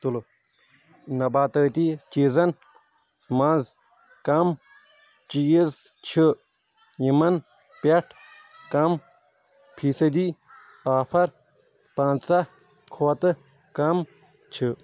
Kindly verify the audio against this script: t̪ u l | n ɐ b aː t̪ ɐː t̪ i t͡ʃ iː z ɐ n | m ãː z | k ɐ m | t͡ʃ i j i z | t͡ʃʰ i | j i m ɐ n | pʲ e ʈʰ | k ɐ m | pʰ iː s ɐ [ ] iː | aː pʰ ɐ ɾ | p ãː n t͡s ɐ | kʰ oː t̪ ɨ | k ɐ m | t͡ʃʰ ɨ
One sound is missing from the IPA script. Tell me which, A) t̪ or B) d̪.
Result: B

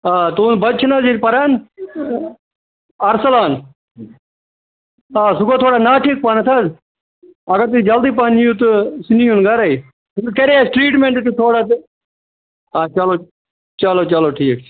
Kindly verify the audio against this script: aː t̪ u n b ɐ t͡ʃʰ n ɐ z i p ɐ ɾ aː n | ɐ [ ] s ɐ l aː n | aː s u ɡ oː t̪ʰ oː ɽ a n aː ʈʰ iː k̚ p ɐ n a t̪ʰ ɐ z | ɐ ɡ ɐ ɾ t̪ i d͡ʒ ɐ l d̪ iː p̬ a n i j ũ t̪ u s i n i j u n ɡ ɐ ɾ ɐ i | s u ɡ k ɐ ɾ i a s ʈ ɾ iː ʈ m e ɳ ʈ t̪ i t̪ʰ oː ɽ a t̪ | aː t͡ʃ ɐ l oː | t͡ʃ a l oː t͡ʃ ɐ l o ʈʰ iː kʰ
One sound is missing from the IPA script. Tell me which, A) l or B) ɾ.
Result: B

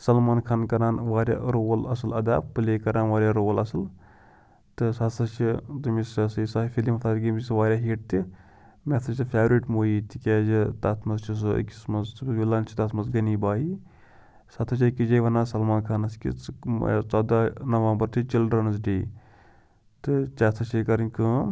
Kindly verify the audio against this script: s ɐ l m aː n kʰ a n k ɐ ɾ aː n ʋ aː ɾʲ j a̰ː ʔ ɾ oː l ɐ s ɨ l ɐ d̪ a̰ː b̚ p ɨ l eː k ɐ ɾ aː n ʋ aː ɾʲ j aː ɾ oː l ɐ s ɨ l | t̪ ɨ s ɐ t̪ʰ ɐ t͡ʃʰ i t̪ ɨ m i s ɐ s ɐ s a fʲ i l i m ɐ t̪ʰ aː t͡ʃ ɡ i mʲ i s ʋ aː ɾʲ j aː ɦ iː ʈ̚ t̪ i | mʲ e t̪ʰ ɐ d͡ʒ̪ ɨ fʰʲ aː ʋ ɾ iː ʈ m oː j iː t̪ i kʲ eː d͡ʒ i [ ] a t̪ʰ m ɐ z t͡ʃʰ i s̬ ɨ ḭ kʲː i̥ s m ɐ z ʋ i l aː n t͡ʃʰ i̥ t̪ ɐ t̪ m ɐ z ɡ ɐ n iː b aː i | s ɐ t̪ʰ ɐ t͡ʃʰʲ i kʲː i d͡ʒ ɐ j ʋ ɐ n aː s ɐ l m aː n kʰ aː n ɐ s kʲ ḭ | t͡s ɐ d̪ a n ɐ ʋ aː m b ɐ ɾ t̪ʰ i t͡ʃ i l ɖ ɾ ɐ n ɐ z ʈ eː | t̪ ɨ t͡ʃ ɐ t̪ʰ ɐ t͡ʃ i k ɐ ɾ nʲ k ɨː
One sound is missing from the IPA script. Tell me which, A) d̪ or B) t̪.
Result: B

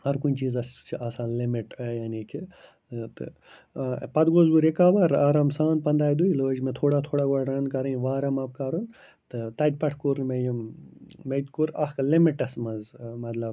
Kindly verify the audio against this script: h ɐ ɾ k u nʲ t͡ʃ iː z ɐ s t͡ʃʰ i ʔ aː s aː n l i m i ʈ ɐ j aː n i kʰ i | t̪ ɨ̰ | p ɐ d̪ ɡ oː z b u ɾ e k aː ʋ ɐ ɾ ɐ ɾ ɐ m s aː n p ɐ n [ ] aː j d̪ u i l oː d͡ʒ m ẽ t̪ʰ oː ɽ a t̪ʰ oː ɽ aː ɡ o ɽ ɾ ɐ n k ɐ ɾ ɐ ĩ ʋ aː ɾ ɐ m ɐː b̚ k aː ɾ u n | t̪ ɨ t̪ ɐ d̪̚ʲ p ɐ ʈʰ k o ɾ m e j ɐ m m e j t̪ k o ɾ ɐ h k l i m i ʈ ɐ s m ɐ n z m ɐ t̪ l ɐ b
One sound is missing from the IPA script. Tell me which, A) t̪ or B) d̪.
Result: B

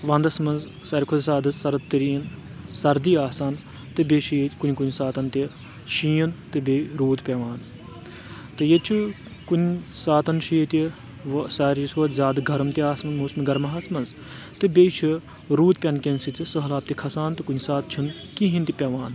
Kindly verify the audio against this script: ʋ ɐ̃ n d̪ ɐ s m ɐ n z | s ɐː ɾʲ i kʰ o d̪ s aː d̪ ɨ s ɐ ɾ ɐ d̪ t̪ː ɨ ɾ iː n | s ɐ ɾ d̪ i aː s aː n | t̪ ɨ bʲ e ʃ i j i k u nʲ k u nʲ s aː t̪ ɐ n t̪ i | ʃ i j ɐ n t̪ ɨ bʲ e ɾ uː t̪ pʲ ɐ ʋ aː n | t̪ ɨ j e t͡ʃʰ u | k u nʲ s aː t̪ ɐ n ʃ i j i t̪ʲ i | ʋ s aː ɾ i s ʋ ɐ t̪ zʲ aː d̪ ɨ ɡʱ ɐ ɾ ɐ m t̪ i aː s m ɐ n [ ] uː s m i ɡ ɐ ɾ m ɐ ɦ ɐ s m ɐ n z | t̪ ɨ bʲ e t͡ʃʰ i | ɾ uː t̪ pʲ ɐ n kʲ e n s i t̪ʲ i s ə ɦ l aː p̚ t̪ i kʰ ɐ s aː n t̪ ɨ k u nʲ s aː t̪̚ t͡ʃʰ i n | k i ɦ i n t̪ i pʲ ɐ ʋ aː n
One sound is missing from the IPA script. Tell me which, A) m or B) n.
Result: A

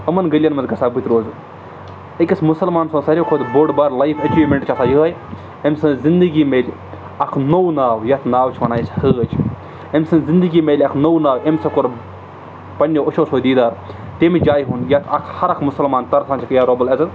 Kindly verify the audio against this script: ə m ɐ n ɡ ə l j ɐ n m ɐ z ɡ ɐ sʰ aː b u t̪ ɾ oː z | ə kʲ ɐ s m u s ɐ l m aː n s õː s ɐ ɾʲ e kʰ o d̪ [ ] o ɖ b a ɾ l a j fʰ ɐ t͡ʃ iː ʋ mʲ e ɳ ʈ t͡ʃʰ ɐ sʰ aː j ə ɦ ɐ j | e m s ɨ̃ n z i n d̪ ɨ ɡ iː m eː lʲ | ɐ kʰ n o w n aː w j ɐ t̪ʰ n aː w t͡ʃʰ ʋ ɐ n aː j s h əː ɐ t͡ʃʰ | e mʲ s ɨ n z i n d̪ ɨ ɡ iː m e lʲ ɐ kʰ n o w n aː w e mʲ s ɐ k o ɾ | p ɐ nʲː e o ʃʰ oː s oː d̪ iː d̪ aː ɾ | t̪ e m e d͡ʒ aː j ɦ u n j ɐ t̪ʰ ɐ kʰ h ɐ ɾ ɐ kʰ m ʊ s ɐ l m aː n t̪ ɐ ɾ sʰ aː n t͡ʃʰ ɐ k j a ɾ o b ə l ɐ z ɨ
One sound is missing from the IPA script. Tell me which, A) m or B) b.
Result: B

